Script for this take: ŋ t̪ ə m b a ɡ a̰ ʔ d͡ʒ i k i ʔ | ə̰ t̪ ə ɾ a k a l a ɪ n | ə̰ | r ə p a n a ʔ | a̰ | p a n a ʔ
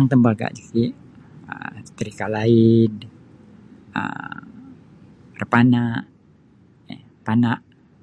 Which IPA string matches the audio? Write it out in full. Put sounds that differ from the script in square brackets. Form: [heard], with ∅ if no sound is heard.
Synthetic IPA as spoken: ŋ t̪ ə m b a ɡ a̰ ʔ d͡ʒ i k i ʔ | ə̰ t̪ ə ɾ [i] k a l a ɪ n | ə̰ | r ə p a n a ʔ | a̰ | p a n a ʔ